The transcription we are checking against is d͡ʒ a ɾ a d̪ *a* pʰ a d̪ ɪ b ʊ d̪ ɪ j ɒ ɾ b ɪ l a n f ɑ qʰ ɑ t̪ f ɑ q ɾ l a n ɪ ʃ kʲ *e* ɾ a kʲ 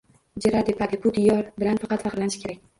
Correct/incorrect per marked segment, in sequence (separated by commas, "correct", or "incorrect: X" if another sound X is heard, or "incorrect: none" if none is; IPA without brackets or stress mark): incorrect: e, correct